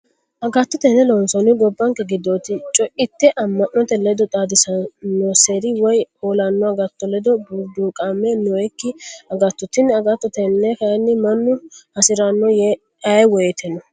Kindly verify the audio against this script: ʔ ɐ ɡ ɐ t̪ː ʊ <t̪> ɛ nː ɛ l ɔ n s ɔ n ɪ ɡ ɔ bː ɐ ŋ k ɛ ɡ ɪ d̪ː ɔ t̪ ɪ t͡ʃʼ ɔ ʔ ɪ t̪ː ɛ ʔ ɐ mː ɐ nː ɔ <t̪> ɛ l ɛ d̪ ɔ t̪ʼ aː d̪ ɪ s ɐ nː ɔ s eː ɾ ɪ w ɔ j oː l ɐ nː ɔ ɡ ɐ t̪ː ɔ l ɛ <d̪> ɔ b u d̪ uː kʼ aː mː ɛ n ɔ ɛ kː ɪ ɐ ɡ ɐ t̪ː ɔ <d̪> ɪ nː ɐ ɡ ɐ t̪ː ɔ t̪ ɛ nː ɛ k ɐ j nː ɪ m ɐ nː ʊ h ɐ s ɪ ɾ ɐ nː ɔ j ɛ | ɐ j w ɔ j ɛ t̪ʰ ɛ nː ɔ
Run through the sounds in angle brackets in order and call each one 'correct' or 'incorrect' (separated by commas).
correct, correct, correct, incorrect